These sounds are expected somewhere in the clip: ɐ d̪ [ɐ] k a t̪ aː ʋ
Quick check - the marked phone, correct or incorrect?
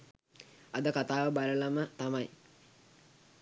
incorrect